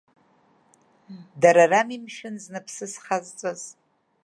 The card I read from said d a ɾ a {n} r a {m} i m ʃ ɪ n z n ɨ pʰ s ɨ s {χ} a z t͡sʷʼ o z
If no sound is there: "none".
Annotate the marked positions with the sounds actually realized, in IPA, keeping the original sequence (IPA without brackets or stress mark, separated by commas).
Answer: none, m, χ